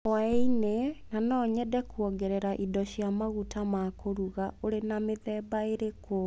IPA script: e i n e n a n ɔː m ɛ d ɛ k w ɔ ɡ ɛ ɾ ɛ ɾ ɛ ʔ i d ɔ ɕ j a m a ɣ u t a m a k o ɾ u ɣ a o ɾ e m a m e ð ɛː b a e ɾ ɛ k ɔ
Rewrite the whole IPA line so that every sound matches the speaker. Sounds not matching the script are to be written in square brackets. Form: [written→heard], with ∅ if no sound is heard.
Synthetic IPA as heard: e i n e n a n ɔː [m→ɲ] ɛ d ɛ k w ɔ ɡ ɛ ɾ ɛ ɾ [ɛ→a] ʔ i d ɔ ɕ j a m a ɣ u t a m a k o ɾ u ɣ a o ɾ e [m→n] a m e ð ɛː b a e ɾ [ɛ→e] k [ɔ→o]

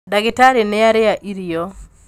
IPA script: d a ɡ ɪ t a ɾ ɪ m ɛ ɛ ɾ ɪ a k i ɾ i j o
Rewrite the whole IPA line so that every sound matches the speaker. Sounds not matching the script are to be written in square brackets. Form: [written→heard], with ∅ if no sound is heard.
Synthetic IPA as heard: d a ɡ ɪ t a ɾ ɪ [m→n] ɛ [ɛ→a] ɾ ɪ a [k→ʔ] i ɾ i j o

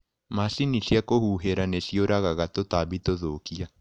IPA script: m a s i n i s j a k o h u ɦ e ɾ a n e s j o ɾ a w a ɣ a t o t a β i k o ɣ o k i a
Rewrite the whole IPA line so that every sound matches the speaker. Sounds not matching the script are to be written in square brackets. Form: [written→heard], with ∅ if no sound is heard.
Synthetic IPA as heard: m a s i n i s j a k o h u ɦ e ɾ a n e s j o ɾ a [w→ɣ] a ɣ a t o t a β i [k→t] o [ɣ→ð] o k i a

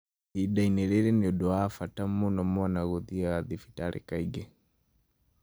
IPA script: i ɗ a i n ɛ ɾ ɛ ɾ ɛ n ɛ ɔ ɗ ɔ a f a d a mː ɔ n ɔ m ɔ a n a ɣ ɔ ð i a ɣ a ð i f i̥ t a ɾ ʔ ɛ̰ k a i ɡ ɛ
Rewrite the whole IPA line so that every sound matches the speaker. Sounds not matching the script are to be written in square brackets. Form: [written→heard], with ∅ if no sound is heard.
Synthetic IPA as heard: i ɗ a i n ɛ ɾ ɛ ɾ ɛ n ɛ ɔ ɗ ɔ a f a [d→t] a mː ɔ n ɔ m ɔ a n a ɣ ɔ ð i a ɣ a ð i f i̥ t a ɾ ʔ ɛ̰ k a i ɡ ɛ

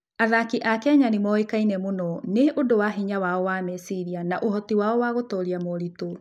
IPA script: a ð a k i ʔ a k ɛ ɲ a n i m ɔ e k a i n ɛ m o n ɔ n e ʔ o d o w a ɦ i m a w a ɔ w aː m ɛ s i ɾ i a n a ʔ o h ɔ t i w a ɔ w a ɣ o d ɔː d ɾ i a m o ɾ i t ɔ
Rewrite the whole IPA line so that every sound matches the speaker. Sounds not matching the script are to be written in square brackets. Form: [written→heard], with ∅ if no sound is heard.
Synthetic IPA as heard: a ð a k i ʔ a k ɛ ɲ a n i m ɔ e k a i n ɛ m o n ɔ n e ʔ o d o w a ɦ i [m→ɲ] a w a ɔ w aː m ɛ s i ɾ i a n a ʔ o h ɔ t i w a ɔ w a ɣ o [d→t] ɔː [d→∅] ɾ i a m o ɾ i t [ɔ→o]

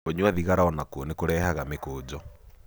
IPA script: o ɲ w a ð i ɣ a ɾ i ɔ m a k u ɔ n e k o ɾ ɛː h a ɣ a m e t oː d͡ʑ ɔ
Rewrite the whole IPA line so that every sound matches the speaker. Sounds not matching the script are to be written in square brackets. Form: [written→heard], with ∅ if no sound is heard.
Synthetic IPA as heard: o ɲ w a ð i ɣ a ɾ [i→a] ɔ [m→n] a k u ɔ n e k o ɾ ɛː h a ɣ a m e [t→k] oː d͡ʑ ɔ

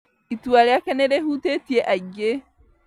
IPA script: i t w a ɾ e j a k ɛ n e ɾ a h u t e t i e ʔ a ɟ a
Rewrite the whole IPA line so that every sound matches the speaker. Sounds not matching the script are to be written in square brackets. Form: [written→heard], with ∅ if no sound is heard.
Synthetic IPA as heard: i t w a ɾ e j a k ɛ n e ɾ [a→e] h u t e t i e ʔ a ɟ [a→e]

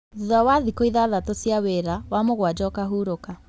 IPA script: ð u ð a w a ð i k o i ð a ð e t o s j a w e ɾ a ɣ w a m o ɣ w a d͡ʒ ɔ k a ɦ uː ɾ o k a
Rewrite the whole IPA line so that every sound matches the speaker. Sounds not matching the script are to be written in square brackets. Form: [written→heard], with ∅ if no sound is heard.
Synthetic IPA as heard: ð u ð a w a ð i k o i ð a ð [e→a] t o s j a w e ɾ a [ɣ→∅] w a m o ɣ w a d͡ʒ ɔ k a ɦ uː ɾ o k a

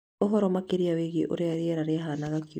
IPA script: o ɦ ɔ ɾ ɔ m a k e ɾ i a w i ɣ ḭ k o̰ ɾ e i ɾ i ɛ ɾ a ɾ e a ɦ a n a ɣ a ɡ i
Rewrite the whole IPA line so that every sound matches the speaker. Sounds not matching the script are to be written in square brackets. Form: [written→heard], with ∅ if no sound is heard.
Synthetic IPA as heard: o ɦ ɔ ɾ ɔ m a k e ɾ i a w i ɣ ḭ [k→ʔ] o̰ ɾ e [i→a] ɾ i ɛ ɾ a ɾ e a ɦ a n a ɣ a [ɡ→k] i

